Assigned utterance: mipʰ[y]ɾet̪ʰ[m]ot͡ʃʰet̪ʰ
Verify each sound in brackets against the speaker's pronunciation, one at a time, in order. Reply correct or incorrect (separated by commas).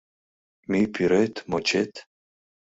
incorrect, correct